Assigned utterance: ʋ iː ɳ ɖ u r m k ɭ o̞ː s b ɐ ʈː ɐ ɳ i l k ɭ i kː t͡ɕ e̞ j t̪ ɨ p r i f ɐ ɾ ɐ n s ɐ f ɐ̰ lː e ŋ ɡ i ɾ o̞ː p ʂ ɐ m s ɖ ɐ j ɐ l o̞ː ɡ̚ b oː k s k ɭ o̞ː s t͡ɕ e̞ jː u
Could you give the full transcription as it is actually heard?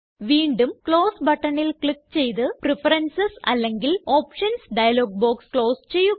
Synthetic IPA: ʋ iː ɳ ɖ u m k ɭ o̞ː s b ɐ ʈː ɐ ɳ i l k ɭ i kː t͡ɕ e̞ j t̪ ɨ p r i f ɐ ɾ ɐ n s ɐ s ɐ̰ lː e ŋ ɡ i l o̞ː p ʂ ɐ n s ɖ ɐ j ɐ l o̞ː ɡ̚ b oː k s k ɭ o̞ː s t͡ɕ e̞ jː u